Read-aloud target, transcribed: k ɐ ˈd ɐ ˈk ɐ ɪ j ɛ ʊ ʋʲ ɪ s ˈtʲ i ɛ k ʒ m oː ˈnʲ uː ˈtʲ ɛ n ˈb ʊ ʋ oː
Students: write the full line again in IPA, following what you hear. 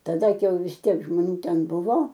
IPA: t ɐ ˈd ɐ ˈk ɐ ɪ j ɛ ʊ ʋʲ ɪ s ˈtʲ i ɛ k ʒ m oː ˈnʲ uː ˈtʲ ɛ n ˈb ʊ ʋ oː